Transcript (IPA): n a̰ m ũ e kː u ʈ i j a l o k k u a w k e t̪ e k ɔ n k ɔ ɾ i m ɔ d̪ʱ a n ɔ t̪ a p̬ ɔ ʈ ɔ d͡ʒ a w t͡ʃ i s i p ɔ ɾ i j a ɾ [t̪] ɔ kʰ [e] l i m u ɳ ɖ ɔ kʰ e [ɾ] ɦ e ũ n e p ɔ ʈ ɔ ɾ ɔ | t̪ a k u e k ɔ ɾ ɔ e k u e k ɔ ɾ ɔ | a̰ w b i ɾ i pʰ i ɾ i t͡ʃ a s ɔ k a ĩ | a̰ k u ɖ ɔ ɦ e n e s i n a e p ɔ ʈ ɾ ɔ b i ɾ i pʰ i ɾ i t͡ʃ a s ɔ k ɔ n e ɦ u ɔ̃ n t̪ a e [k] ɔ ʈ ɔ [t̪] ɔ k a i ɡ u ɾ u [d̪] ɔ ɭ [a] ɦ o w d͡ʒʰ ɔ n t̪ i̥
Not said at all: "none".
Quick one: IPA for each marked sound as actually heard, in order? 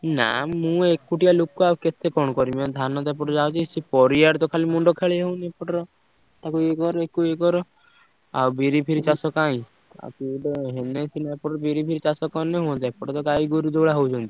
t̪, a, ɭ, p, t̪, d̪, a

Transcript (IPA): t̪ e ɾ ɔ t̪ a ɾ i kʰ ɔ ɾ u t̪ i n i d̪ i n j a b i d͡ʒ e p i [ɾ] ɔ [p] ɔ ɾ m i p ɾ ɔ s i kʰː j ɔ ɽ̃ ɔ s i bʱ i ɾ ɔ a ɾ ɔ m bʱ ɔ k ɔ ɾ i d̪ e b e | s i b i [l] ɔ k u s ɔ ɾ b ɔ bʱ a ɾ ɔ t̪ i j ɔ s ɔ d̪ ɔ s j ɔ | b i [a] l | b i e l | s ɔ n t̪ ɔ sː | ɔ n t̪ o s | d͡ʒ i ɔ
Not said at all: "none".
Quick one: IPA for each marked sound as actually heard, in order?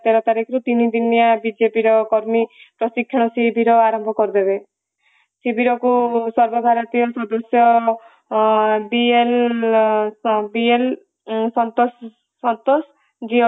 ɾ, k, ɾ, e

